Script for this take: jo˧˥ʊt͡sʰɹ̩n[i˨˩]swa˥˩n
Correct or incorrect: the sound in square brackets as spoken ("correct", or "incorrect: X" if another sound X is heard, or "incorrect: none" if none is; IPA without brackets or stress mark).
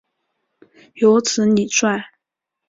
correct